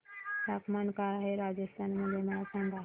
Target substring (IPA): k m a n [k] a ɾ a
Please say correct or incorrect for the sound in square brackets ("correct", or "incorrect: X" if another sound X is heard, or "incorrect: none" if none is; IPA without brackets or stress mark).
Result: correct